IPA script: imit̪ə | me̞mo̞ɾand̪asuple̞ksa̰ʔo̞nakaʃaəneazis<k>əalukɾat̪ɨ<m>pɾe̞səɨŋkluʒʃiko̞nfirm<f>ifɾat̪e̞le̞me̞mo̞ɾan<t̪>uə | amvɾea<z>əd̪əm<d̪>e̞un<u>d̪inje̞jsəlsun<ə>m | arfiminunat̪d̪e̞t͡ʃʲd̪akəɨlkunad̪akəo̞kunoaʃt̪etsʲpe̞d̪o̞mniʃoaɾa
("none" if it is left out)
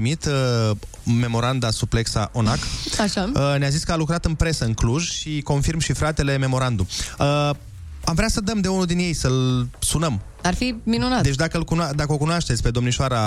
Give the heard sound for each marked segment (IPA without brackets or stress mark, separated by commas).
k, n, ʃ, d̪, s, d̪, u, ə